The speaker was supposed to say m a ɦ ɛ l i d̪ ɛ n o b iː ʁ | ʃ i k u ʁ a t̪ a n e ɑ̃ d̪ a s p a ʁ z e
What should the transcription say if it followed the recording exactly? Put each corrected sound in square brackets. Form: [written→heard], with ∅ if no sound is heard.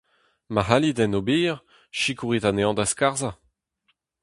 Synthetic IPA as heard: m a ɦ [ɛ→a] l i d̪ ɛ n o b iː ʁ | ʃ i k u ʁ [a→i] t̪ a n e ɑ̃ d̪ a s [p→k] a ʁ z [e→a]